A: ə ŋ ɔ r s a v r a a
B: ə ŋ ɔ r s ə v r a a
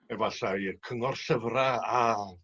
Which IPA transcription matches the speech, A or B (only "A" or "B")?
B